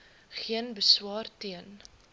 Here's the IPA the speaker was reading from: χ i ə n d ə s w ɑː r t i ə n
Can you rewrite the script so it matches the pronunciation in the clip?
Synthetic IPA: χ i ə n b ə s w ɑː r t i ə n